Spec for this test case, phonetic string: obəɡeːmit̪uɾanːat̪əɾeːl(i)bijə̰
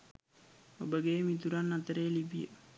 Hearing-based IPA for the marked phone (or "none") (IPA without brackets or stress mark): i